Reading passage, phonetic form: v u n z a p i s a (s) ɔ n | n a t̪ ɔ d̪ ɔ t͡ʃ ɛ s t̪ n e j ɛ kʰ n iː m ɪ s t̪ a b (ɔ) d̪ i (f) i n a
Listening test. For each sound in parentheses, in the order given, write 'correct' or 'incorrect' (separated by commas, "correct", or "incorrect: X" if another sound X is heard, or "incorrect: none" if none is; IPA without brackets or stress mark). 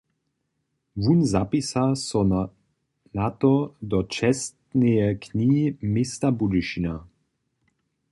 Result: correct, incorrect: u, incorrect: ʃ